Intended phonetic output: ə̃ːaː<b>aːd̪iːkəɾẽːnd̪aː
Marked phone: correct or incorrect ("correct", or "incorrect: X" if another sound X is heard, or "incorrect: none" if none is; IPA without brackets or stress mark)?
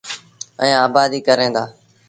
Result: correct